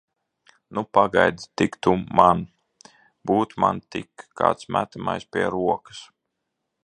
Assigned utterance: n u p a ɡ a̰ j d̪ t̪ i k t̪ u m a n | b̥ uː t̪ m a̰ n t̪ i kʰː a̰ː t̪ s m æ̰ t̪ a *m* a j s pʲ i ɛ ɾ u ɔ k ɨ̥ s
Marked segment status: correct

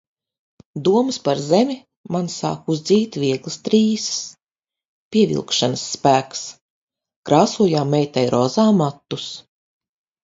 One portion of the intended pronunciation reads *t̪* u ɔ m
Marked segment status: incorrect: d̪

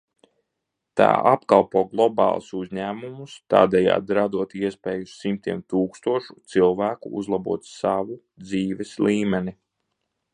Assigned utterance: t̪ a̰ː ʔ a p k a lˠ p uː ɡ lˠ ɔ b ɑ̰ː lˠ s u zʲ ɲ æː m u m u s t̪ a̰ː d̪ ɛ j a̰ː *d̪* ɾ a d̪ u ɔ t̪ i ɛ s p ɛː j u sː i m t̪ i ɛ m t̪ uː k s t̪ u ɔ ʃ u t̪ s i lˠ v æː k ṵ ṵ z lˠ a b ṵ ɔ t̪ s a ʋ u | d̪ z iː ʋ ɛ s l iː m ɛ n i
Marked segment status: correct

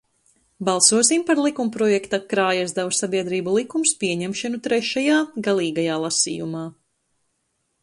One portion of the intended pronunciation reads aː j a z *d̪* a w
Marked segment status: correct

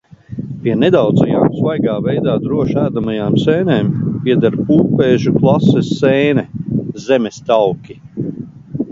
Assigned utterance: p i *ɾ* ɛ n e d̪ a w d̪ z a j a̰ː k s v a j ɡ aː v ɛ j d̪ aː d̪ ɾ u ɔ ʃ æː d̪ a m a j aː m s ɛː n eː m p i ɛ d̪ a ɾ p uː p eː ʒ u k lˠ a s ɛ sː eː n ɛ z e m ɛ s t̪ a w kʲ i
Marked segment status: incorrect: none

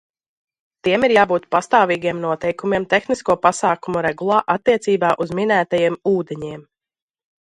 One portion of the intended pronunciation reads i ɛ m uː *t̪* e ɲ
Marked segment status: incorrect: d̪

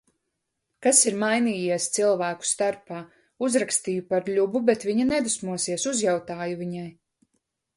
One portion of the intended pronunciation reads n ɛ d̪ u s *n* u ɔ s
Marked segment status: incorrect: m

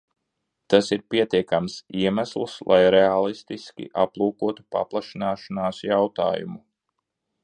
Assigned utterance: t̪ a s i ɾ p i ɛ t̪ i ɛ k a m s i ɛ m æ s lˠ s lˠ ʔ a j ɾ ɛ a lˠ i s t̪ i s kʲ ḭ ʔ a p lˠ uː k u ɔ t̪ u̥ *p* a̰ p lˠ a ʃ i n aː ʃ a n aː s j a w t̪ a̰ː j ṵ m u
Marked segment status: correct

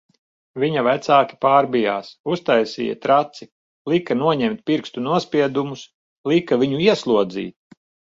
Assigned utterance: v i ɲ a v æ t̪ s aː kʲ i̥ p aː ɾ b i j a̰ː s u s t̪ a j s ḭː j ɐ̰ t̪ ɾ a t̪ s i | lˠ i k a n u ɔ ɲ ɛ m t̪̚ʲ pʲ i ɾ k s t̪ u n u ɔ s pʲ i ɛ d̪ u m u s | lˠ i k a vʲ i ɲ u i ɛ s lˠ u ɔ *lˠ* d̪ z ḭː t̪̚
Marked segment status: incorrect: none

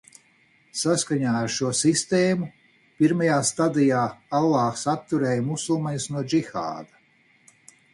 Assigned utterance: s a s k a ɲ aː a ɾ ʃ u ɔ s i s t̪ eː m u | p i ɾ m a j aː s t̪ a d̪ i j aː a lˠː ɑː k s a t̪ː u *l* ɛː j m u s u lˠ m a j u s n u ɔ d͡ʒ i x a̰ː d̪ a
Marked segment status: incorrect: ɾ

